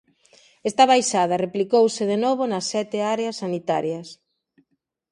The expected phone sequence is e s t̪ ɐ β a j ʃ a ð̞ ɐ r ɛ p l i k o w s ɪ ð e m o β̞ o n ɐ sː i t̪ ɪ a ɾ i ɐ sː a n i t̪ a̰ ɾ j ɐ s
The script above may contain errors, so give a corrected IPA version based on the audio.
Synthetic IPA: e s t̪ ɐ β a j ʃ a ð̞ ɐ r e p l i k o w s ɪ ð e n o β̞ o n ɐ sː ɛ t̪ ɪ a ɾ e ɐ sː a n i t̪ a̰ ɾ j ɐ s